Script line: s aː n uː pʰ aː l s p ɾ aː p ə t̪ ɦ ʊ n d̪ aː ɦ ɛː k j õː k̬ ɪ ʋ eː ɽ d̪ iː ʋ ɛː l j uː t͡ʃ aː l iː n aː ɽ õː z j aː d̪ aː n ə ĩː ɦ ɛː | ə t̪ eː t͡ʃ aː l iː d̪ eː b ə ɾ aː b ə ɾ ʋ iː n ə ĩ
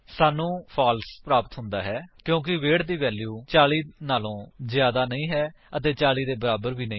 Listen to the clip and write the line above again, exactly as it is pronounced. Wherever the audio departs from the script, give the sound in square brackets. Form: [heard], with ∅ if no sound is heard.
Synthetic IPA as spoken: s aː n [ũː] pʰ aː l s p ɾ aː p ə t̪ ɦ ʊ n d̪ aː ɦ ɛː k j õː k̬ ɪ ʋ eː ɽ d̪ iː ʋ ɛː l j uː t͡ʃ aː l iː n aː [l] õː z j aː d̪ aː n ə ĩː ɦ ɛː | ə t̪ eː t͡ʃ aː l iː d̪ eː b ə ɾ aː b ə ɾ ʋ iː n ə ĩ